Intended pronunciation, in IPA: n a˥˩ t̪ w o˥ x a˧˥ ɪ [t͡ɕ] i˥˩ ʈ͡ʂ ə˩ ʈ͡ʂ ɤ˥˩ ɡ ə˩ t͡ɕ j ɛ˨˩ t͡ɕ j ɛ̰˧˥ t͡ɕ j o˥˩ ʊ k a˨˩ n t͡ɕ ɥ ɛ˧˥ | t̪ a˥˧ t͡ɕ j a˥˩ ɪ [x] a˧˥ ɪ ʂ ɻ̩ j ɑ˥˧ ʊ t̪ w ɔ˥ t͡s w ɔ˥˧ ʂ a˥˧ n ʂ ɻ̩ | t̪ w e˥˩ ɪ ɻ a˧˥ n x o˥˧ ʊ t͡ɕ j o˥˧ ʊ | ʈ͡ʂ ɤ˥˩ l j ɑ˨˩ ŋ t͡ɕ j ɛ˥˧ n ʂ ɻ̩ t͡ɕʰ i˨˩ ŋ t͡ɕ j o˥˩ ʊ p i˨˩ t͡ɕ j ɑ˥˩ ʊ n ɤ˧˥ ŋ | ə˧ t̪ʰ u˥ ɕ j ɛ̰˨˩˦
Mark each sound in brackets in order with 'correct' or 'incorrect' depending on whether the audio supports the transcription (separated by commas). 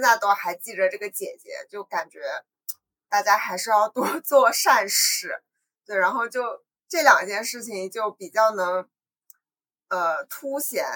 correct, correct